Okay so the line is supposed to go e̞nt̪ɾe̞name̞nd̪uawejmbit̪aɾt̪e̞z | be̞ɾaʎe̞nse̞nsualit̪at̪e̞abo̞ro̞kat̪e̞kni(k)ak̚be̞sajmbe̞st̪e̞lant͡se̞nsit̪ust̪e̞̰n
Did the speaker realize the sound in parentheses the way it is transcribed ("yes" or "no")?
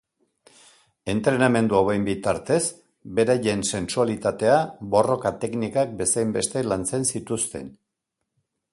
yes